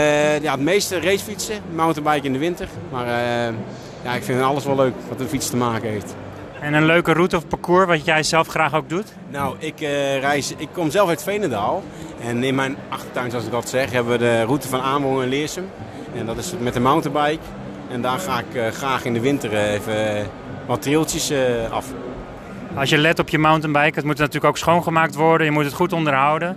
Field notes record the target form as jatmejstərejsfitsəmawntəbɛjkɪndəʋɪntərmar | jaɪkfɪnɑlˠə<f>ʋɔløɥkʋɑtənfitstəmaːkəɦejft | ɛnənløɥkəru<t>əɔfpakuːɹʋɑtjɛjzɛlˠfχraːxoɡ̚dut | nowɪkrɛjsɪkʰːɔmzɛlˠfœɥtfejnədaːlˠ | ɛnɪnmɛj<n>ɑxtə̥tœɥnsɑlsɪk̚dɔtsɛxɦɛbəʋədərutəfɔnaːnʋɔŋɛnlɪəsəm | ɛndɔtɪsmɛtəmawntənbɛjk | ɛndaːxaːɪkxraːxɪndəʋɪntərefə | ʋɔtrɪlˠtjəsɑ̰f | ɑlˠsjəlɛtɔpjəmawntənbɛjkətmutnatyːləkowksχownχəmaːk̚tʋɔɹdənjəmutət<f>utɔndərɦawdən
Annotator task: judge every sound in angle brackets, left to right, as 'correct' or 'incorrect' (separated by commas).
incorrect, correct, correct, incorrect